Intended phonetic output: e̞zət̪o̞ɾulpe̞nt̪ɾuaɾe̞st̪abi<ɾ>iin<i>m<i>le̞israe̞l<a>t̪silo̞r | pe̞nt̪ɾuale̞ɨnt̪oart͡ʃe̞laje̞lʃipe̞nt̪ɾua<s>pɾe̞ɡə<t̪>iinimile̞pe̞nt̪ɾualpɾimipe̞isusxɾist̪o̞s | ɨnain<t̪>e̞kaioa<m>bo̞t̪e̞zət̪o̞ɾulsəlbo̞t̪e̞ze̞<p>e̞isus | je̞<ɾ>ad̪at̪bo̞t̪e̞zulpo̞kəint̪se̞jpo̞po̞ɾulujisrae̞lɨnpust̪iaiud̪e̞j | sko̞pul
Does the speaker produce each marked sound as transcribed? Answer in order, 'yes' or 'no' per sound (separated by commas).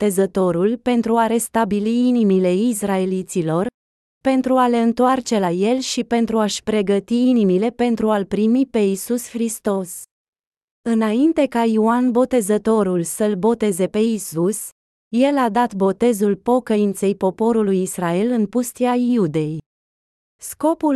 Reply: no, yes, yes, no, no, yes, yes, no, yes, no